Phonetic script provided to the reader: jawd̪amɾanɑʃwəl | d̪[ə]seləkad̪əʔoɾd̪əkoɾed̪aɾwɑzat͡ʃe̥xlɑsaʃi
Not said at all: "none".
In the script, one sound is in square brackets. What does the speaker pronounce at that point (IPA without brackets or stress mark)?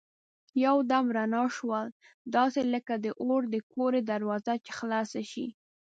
ɑ